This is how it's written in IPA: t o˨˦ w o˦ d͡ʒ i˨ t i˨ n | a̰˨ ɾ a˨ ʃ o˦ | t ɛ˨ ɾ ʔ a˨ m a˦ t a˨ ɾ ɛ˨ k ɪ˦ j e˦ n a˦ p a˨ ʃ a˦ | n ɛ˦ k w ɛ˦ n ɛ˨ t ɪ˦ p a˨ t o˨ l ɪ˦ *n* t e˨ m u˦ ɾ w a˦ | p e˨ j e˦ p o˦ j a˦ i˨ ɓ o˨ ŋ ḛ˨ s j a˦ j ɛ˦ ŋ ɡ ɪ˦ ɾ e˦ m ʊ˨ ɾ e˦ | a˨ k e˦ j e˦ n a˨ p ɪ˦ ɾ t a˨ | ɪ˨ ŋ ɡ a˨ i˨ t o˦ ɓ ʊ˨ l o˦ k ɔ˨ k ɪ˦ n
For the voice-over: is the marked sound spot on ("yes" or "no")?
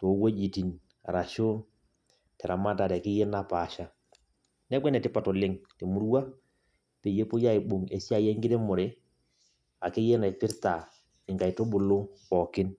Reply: no